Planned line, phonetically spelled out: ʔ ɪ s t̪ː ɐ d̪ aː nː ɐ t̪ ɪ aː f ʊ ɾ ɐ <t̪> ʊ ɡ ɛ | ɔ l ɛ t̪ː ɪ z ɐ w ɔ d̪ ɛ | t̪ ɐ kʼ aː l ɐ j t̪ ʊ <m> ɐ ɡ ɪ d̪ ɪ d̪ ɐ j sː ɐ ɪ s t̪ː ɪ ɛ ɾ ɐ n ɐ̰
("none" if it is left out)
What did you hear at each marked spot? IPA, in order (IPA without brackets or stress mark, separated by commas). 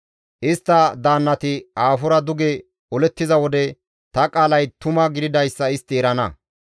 d̪, m